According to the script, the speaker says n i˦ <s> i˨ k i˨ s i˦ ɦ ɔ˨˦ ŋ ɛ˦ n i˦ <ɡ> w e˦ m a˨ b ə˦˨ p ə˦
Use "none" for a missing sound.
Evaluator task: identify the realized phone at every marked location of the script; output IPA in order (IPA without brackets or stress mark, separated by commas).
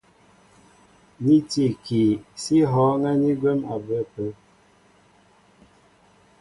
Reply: t, ɡ